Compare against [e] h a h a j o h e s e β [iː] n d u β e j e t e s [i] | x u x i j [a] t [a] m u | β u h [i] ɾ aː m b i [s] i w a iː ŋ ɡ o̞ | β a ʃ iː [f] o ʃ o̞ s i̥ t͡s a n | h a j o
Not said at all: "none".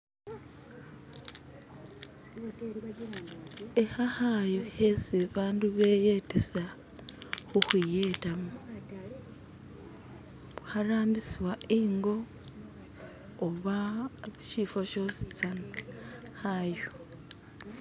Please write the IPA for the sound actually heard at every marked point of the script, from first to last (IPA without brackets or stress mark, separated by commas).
e, aː, a, e, a, a, s, f